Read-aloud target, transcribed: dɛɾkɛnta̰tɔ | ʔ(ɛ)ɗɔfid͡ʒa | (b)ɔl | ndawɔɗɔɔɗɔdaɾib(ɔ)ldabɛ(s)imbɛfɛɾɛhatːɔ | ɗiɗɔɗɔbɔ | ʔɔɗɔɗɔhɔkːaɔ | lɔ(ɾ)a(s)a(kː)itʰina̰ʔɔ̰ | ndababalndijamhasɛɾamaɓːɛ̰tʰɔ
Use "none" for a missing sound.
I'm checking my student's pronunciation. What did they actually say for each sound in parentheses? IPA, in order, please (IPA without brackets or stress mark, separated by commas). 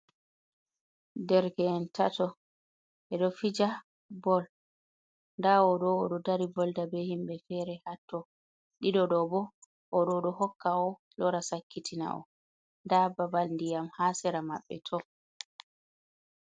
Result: ɛ, b, ɔ, h, ɾ, s, kː